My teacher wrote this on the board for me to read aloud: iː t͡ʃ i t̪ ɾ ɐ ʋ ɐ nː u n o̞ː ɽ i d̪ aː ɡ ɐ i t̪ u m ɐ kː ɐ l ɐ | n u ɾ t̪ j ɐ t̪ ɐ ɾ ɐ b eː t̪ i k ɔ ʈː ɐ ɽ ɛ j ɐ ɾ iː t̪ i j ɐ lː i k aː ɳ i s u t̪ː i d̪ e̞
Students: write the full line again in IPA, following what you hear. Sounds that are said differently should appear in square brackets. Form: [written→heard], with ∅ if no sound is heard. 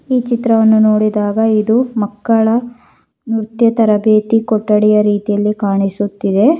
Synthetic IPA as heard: iː t͡ʃ i t̪ ɾ ɐ ʋ ɐ nː u n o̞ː ɽ i d̪ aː ɡ ɐ i [t̪→d̪] u m ɐ kː ɐ [l→ɭ] ɐ | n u ɾ t̪ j ɐ t̪ ɐ ɾ ɐ b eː t̪ i k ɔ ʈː ɐ ɽ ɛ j ɐ ɾ iː t̪ i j ɐ lː i k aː ɳ i s u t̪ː i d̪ e̞

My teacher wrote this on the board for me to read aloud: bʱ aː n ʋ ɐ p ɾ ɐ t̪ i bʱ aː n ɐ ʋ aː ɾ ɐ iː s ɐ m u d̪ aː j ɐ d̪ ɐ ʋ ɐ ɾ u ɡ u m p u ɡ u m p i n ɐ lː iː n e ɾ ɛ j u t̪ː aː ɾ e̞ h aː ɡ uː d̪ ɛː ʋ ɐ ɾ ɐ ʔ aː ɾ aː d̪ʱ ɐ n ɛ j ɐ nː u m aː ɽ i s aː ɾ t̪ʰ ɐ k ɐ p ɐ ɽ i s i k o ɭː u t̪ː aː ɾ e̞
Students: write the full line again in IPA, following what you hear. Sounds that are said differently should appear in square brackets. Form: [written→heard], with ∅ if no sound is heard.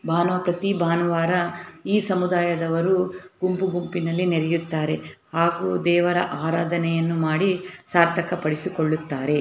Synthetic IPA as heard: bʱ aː n ʋ ɐ p ɾ ɐ t̪ i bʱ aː n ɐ ʋ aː ɾ ɐ iː s ɐ m u d̪ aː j ɐ d̪ ɐ ʋ ɐ ɾ u ɡ u m p u ɡ u m p i n ɐ lː [iː→i] n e ɾ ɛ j u t̪ː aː ɾ e̞ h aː ɡ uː d̪ ɛː ʋ ɐ ɾ ɐ ʔ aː ɾ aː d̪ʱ ɐ n ɛ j ɐ nː u m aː ɽ i s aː ɾ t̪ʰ ɐ k ɐ p ɐ ɽ i s i k o ɭː u t̪ː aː ɾ e̞

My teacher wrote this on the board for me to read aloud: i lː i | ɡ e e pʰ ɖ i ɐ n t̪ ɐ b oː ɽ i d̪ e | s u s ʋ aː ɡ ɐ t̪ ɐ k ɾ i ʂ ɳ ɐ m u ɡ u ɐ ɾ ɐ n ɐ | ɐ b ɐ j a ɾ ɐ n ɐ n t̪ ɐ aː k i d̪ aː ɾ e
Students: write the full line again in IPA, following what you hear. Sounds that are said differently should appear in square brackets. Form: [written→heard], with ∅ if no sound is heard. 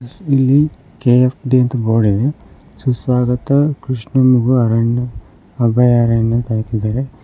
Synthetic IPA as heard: i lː i | [ɡ→k] e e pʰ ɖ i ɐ n t̪ ɐ b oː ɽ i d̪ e | s u s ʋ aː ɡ ɐ t̪ ɐ k ɾ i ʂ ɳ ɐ m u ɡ u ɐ ɾ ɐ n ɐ | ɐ b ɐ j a ɾ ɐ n ɐ n t̪ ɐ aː k i d̪ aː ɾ e

